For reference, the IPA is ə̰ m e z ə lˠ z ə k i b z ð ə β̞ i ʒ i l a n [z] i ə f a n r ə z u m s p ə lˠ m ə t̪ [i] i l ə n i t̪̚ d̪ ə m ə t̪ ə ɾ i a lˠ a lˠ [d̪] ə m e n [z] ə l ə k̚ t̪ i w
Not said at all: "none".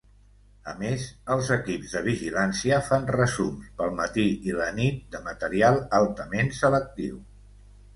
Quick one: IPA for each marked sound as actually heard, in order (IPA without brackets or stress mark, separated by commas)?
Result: s, i, t̪, s